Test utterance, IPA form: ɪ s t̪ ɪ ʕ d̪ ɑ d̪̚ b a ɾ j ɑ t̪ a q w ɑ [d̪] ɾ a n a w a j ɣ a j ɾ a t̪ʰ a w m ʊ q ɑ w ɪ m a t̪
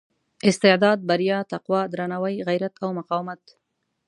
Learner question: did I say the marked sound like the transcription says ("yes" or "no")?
yes